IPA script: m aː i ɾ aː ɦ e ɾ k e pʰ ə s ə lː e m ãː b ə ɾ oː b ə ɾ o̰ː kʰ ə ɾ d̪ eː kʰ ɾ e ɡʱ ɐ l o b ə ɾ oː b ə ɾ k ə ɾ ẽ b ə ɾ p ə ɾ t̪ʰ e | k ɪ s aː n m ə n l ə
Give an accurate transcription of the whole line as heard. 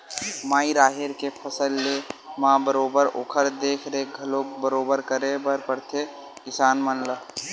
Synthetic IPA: m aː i ɾ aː ɦ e ɾ k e pʰ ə s ə lː e m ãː b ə ɾ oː b ə ɾ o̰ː kʰ ə ɾ d̪ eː kʰ ɾ e ɡʱ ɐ l o b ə ɾ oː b ə ɾ k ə ɾ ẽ b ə ɾ p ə ɾ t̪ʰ e | k ɪ s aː n m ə n l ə

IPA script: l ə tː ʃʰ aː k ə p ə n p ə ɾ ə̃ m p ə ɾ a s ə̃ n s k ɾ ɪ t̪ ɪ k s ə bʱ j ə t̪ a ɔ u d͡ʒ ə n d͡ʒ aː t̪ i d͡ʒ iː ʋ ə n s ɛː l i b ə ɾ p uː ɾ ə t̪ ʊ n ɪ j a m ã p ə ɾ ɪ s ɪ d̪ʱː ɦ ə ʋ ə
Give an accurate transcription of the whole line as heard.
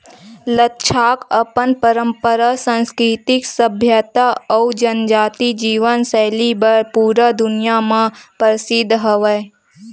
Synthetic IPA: l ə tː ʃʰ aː k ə p ə n p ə ɾ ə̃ m p ə ɾ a s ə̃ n s k ɾ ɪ t̪ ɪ k s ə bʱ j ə t̪ a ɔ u d͡ʒ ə n d͡ʒ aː t̪ i d͡ʒ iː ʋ ə n s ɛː l i b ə ɾ p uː ɾ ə d̪ ʊ n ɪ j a m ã p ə ɾ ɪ s ɪ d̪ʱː ɦ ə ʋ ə

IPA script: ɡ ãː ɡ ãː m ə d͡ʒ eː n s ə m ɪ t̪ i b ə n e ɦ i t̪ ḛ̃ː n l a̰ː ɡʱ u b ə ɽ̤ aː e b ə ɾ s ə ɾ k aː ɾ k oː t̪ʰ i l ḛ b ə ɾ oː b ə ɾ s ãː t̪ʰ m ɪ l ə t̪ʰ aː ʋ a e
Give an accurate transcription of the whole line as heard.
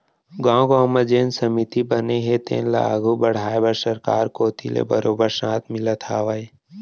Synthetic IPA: ɡ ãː ɡ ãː m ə d͡ʒ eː n s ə m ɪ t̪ i b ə n e ɦ e t̪ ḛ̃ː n l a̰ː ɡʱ u b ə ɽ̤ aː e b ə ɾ s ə ɾ k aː ɾ k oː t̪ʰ i l ḛ b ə ɾ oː b ə ɾ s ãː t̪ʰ m ɪ l ə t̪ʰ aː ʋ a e

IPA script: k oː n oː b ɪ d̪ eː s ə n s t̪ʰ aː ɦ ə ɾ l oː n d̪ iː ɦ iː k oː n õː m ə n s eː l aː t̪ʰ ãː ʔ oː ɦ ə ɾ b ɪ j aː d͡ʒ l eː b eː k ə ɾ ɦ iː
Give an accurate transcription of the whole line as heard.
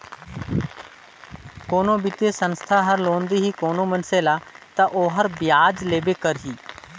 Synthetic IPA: k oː n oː b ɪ t̪ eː s ə n s t̪ʰ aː ɦ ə ɾ l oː n d̪ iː ɦ iː k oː n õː m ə n s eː l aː t̪ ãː ʔ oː ɦ ə ɾ b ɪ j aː d͡ʒ l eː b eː k ə ɾ ɦ iː

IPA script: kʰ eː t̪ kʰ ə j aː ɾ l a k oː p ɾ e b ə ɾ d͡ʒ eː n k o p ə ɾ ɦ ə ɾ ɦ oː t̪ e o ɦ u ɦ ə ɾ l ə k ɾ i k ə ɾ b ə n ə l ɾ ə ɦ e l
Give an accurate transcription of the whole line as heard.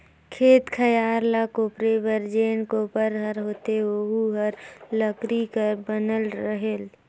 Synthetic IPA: kʰ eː t̪ kʰ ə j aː ɾ l a k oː p ɾ e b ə ɾ d͡ʒ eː n k o p ə ɾ ɦ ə ɾ ɦ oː t̪ e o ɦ u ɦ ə ɾ l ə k ɾ i k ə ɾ b ə n ə l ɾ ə ɦ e l

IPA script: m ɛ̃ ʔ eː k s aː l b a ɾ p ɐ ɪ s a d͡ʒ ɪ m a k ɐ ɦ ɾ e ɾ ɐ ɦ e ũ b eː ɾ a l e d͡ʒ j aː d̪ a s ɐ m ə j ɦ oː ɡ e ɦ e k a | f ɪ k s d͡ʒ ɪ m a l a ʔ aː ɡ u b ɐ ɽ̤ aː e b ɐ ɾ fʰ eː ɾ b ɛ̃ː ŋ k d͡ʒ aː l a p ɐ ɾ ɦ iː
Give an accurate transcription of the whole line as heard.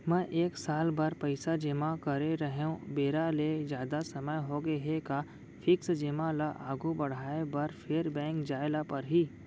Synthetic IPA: m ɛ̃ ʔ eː k s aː l b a ɾ p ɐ ɪ s a d͡ʒ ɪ m a k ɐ ɾ e ɾ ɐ ɦ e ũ b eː ɾ a l e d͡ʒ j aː d̪ a s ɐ m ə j ɦ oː ɡ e ɦ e k a | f ɪ k s d͡ʒ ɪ m a l a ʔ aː ɡ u b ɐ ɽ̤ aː e b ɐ ɾ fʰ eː ɾ b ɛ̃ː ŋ k d͡ʒ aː l a p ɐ ɾ ɦ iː

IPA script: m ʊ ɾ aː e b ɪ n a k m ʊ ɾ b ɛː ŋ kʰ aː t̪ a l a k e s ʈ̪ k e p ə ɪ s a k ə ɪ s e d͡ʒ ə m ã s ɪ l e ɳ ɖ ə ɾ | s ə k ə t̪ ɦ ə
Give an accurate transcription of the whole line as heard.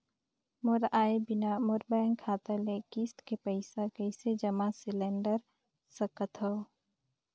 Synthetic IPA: m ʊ ɾ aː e b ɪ n a m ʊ ɾ b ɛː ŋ kʰ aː t̪ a l e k i s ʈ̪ k e p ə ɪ s a k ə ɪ s e d͡ʒ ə m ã s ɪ l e ɳ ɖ ə ɾ | s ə k ə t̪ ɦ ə

